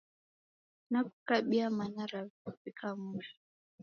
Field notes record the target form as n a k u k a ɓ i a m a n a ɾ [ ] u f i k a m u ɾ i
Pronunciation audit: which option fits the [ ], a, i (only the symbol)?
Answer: a